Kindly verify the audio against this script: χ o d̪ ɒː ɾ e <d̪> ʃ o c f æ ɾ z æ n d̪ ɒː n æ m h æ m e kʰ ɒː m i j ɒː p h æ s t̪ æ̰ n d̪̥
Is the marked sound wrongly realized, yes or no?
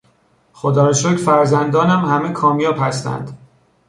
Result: yes